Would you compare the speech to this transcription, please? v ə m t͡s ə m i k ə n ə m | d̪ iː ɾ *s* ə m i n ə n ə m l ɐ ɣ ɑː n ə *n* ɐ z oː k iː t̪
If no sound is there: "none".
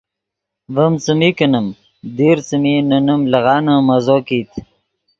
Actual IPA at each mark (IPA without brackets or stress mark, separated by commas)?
t͡s, m